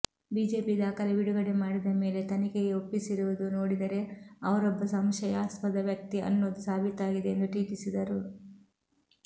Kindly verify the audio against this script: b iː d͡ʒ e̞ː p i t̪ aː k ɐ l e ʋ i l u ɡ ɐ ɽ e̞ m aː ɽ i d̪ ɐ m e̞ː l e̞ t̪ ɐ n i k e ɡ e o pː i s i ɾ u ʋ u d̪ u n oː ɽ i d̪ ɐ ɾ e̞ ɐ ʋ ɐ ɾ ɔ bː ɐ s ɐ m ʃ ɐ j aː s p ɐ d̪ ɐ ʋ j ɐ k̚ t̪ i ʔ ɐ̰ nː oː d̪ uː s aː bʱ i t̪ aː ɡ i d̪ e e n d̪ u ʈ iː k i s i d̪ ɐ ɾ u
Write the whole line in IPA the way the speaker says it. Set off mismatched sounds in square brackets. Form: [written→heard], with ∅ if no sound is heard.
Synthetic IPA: b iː d͡ʒ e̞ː p i [t̪→d̪] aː k ɐ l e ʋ i [l→ɽ] u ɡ ɐ ɽ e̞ m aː ɽ i d̪ ɐ m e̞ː l e̞ t̪ ɐ n i k e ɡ e o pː i s i ɾ u ʋ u d̪ u n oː ɽ i d̪ ɐ ɾ e̞ ɐ ʋ ɐ ɾ ɔ bː ɐ s ɐ m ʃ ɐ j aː s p ɐ d̪ ɐ ʋ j ɐ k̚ t̪ i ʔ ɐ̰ nː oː d̪ [uː→u] s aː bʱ i t̪ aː ɡ i d̪ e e n d̪ u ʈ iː k i s i d̪ ɐ ɾ u